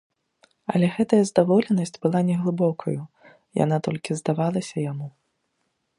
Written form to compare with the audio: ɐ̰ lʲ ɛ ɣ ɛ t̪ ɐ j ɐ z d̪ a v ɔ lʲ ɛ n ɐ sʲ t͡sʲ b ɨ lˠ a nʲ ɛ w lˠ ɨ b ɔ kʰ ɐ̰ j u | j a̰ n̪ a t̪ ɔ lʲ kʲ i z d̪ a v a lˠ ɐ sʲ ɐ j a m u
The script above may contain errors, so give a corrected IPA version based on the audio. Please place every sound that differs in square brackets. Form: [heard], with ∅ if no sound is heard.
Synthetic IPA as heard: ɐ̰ lʲ ɛ ɣ ɛ t̪ ɐ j ɐ z d̪ a v ɔ lʲ ɛ n ɐ sʲ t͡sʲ b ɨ lˠ a nʲ ɛ [ɣ] lˠ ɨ b ɔ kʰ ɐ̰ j u | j a̰ n̪ a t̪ ɔ lʲ kʲ i z d̪ a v a lˠ ɐ sʲ ɐ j a m u